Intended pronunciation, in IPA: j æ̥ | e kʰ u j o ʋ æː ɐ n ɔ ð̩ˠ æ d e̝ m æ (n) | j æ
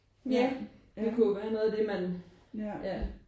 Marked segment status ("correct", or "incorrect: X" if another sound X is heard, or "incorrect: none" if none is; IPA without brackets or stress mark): correct